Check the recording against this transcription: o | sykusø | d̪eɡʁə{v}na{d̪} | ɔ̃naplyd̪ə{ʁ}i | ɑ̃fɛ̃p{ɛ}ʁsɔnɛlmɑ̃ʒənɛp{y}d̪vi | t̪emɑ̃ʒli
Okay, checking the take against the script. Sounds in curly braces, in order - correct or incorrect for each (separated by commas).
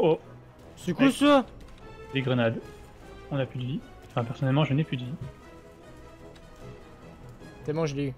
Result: incorrect, correct, incorrect, correct, correct